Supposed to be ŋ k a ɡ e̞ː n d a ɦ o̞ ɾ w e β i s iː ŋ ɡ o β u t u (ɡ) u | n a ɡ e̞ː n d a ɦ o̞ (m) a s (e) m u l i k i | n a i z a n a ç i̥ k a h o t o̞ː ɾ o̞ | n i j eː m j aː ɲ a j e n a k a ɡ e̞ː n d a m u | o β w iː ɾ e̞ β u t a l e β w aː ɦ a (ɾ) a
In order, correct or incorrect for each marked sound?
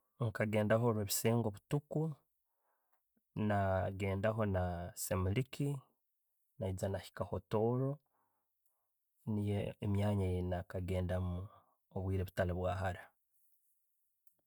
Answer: incorrect: k, incorrect: n, correct, correct

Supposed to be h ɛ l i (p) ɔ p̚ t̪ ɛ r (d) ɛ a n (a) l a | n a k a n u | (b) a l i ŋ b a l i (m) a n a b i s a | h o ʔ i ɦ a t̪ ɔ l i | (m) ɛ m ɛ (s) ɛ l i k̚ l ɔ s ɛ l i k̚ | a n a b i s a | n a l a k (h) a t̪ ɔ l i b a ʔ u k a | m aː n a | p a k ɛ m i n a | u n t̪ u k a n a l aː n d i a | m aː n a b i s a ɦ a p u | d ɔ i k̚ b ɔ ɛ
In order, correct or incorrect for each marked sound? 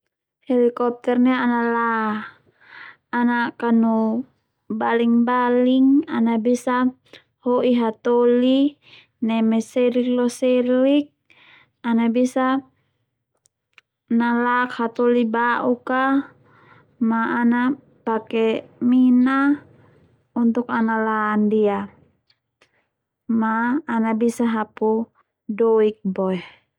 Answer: incorrect: k, incorrect: n, correct, correct, incorrect: ŋ, incorrect: n, correct, correct

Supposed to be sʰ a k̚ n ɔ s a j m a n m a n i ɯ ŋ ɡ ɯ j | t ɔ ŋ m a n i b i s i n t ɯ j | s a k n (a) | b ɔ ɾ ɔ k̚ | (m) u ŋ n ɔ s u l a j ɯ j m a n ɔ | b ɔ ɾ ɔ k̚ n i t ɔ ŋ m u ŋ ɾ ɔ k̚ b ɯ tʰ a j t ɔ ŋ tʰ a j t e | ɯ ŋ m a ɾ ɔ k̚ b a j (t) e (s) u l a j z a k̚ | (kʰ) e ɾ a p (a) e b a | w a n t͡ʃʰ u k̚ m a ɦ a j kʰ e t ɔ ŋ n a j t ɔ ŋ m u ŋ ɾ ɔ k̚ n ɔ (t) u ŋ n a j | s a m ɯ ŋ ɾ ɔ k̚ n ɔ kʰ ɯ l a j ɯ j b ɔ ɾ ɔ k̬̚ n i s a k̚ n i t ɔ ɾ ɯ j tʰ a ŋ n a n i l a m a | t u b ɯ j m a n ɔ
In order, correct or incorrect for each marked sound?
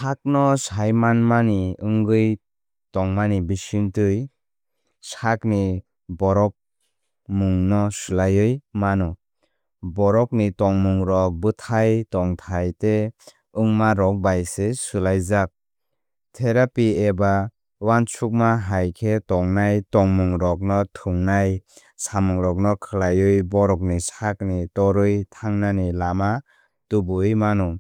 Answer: incorrect: i, correct, incorrect: s, correct, incorrect: tʰ, incorrect: i, incorrect: tʰ

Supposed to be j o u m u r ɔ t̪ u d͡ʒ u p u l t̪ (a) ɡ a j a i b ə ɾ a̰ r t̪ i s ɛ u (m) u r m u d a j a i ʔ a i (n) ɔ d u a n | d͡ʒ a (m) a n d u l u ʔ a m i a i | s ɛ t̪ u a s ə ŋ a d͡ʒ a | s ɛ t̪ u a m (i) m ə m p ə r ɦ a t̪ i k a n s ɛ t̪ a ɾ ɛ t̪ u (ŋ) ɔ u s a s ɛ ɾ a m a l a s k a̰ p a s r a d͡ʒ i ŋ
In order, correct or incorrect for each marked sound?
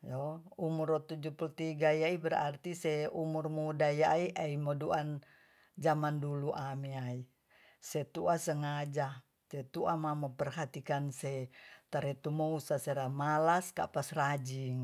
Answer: incorrect: i, correct, incorrect: m, correct, incorrect: a, incorrect: m

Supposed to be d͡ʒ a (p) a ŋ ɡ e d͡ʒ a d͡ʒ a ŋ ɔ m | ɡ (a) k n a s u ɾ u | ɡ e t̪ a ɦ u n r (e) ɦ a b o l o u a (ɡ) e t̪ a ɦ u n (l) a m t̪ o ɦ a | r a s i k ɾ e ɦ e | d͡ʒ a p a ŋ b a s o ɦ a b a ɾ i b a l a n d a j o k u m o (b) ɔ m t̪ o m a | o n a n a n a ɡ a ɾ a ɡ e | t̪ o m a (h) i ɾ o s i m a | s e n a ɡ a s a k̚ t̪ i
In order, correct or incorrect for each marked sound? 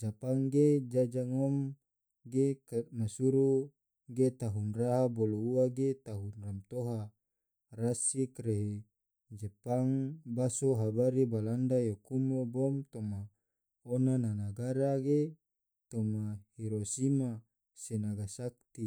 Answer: correct, incorrect: e, incorrect: a, correct, incorrect: r, correct, correct

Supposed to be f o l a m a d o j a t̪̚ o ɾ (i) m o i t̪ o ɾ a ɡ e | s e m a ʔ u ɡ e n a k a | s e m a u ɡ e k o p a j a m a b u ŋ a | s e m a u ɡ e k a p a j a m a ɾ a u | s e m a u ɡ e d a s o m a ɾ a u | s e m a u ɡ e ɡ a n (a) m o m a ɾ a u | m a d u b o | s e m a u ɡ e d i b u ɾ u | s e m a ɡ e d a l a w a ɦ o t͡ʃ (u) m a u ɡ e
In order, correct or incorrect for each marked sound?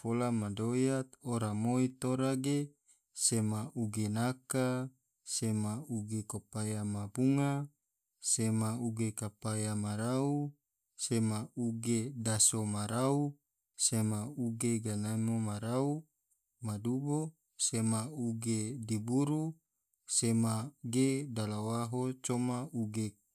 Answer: incorrect: a, correct, incorrect: o

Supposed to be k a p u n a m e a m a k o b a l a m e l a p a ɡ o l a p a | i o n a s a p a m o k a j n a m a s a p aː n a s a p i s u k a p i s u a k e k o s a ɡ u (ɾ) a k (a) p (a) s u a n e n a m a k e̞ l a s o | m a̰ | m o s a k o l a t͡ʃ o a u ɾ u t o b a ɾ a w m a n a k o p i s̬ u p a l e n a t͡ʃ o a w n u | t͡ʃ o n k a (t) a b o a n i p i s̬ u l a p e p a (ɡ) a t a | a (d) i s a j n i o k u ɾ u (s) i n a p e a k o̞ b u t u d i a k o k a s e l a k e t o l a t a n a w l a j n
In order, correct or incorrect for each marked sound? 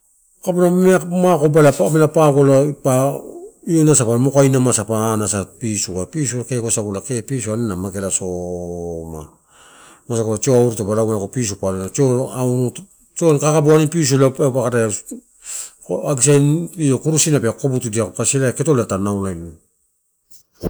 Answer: incorrect: l, incorrect: e, incorrect: i, incorrect: k, incorrect: k, incorrect: ɡ, correct

